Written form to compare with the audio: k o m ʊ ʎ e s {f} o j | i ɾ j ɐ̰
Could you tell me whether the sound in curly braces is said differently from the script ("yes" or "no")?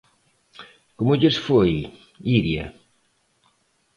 no